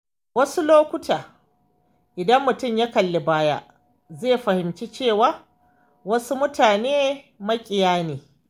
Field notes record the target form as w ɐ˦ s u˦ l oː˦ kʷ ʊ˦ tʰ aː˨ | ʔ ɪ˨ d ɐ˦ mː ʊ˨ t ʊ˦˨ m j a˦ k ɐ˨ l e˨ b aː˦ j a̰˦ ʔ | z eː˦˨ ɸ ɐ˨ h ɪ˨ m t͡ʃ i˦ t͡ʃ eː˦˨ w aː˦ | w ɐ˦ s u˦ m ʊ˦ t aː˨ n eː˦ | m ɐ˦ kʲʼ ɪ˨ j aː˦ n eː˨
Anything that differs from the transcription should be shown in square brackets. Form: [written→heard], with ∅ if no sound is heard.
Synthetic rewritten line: w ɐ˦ s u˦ l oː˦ kʷ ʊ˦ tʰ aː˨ | ʔ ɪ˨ d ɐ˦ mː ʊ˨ t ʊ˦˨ m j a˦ k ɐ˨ [l→lː] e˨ b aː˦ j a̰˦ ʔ | z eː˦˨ ɸ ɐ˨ h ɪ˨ m t͡ʃ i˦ t͡ʃ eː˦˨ w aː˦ | w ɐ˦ s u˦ m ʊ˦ t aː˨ n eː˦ | m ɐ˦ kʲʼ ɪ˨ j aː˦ n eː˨